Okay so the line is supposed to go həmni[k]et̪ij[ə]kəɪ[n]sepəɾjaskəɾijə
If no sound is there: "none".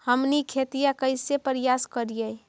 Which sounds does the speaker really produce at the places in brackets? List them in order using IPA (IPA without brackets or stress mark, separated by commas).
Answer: kʰ, a, none